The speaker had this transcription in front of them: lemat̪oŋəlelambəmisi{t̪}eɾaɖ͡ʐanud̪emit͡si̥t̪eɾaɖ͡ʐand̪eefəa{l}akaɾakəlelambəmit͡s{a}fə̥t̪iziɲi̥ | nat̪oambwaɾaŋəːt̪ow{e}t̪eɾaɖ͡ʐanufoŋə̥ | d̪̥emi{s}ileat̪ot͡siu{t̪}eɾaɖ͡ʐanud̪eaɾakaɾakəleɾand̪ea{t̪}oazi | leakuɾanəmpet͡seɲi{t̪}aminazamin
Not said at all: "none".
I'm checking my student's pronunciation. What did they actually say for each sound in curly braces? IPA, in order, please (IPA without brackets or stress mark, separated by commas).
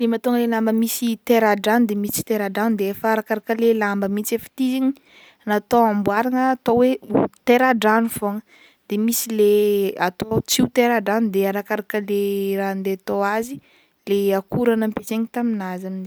t̪, ɾ, e, e, s, t̪, t̪, t̪